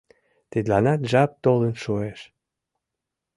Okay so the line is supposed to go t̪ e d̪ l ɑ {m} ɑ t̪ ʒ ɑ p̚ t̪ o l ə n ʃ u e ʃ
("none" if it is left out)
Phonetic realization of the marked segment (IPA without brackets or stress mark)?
n